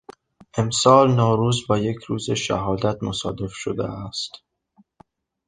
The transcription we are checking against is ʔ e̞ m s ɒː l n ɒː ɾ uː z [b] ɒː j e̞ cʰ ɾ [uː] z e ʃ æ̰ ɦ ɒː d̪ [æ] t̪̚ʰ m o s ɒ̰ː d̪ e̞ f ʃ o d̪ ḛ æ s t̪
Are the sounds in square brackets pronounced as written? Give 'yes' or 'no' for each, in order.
yes, yes, yes

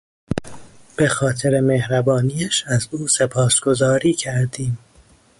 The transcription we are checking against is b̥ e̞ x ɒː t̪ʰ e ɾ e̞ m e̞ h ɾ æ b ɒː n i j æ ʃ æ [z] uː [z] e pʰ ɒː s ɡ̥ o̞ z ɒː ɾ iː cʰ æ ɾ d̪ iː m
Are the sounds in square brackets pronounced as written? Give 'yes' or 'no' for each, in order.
yes, no

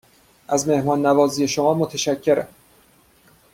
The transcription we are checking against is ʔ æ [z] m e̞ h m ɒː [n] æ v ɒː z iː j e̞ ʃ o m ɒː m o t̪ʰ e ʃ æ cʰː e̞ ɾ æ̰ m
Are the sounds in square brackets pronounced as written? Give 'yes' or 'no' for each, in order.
yes, no

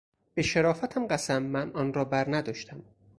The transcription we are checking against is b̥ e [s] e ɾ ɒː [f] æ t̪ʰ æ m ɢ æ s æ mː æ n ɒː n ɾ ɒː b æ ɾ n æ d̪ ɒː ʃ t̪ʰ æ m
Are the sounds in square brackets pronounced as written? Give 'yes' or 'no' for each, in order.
no, yes

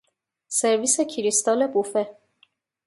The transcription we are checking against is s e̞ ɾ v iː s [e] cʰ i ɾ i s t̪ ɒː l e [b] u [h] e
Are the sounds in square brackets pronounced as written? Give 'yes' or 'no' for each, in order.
yes, yes, no

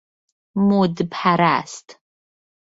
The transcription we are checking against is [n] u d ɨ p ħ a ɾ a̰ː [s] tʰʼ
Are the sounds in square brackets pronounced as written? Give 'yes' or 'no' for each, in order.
no, yes

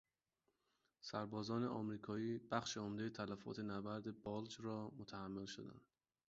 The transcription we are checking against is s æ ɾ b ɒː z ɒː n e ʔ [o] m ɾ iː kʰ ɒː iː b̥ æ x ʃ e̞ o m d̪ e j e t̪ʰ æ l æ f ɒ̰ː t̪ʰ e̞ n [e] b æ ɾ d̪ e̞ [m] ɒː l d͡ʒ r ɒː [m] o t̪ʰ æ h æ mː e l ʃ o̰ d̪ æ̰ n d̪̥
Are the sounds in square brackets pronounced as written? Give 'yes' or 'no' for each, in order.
no, no, no, yes

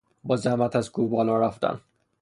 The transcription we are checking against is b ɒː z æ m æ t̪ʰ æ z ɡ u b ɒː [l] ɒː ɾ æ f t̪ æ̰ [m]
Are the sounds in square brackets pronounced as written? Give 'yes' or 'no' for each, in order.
yes, no

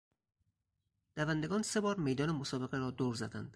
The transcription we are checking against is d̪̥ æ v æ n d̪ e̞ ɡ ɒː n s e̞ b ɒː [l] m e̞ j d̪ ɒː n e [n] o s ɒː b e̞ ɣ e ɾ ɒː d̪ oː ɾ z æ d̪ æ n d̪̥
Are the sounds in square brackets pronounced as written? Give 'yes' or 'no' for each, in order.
no, no

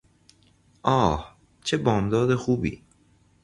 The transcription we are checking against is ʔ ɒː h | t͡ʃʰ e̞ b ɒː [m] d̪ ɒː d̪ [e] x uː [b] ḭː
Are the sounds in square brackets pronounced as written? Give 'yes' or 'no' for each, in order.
yes, yes, yes

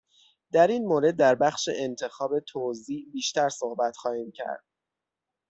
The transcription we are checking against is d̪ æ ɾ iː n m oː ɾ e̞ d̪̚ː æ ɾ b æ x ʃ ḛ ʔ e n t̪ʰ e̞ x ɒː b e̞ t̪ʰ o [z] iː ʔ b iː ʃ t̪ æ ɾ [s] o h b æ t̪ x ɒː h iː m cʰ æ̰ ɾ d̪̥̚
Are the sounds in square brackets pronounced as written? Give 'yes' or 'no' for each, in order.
yes, yes

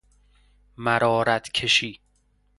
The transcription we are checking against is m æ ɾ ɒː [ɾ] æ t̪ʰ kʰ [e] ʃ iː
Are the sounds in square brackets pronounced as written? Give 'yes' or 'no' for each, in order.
yes, yes

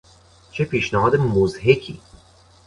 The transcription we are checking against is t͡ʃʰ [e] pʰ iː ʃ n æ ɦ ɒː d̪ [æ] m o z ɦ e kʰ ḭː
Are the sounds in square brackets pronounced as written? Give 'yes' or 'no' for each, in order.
yes, no

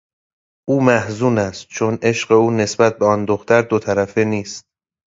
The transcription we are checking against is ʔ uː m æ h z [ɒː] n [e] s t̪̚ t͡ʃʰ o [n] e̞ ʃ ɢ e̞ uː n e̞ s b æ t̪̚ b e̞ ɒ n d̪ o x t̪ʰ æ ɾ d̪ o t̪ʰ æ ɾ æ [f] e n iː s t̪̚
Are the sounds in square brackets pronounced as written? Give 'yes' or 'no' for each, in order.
no, no, yes, yes

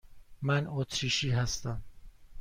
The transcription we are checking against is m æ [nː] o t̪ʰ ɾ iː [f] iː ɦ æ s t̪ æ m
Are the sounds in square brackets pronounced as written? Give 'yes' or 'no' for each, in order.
no, no

